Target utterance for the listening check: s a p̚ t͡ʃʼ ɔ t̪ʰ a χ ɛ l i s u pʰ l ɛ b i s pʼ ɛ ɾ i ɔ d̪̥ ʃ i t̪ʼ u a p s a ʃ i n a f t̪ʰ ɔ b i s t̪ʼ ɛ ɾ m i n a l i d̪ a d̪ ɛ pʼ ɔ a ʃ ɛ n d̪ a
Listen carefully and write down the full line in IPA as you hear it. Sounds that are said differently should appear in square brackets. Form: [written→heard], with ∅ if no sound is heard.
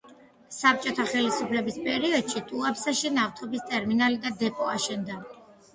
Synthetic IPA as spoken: s a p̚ t͡ʃʼ ɔ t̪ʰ a χ ɛ l i s u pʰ l ɛ b i s pʼ ɛ ɾ i ɔ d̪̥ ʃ i t̪ʼ u a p s a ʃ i n a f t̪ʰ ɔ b i s t̪ʼ ɛ ɾ m i n a l i d̪ a d̪ ɛ pʼ ɔ a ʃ ɛ n d̪ a